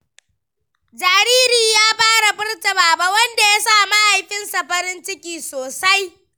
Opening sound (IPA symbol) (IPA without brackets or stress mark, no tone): d͡ʒ